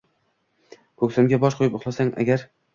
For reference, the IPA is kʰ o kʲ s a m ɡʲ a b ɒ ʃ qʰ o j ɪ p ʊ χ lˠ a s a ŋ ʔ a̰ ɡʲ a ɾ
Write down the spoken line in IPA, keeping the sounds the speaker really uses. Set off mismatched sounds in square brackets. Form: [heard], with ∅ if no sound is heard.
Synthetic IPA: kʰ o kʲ s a m ɡʲ a b ɒ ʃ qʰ o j ɪ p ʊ χ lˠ a s a ŋ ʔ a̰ ɡʲ a ɾ